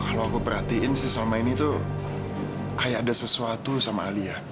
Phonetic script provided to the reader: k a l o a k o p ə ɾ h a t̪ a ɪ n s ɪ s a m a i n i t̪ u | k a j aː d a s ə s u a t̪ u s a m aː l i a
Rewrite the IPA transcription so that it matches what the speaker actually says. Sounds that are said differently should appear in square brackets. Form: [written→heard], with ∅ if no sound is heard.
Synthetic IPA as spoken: k a l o a k [o→u] p ə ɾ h a t̪ [a→i] ɪ n s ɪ s a m a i n i t̪ u | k a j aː d a s ə s u a t̪ u s a m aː l i a